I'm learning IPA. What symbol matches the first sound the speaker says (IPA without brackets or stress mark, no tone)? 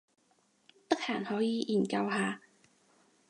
t̪